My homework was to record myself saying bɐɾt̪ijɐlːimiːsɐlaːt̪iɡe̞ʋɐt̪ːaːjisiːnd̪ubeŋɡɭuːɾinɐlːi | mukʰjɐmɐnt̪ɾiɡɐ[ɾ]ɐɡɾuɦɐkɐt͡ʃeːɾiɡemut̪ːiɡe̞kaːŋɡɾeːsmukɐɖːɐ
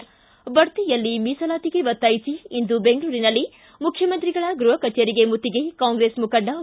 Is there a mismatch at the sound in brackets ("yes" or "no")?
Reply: yes